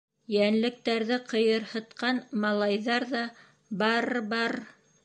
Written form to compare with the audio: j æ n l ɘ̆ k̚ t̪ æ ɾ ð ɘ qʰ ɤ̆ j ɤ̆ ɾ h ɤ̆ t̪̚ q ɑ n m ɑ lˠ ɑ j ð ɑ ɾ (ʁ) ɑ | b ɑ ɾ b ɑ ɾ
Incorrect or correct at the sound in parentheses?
incorrect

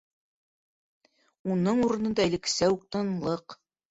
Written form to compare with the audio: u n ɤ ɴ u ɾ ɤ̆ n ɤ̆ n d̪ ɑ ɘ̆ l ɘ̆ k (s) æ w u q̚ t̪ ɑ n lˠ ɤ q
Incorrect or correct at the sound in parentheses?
correct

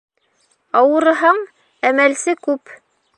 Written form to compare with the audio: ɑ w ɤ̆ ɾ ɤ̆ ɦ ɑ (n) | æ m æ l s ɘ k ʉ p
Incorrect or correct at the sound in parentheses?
incorrect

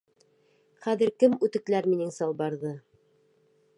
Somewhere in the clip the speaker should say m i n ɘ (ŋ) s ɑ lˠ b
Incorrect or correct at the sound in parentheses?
correct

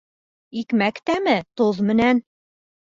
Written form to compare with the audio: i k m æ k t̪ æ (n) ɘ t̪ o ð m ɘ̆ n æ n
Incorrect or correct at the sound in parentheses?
incorrect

